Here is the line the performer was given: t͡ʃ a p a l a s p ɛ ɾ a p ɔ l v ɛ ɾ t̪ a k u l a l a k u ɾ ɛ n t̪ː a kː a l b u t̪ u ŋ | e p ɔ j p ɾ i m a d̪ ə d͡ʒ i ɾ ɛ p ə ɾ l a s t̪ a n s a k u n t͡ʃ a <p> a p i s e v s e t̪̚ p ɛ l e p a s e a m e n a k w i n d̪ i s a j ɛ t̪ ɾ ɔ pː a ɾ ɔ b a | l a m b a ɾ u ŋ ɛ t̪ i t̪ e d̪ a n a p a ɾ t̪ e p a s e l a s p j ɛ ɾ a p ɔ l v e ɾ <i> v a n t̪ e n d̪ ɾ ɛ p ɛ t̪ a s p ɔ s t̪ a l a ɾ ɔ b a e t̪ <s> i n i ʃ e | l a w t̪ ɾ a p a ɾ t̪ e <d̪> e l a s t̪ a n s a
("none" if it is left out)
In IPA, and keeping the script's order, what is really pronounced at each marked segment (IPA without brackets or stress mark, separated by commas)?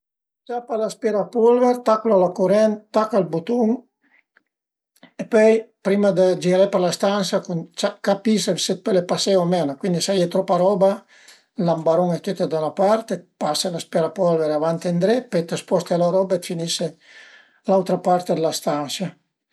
k, a, f, d̪